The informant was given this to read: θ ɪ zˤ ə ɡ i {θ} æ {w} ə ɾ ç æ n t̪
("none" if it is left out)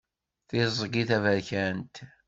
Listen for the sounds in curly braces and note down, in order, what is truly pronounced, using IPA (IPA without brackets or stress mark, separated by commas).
θ, v